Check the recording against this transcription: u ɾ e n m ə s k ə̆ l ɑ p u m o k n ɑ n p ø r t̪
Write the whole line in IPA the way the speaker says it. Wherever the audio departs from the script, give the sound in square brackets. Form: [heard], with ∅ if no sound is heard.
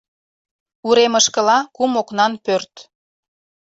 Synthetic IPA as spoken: u ɾ e [∅] m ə [ʃ] k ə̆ l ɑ [k] u m o k n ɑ n p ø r t̪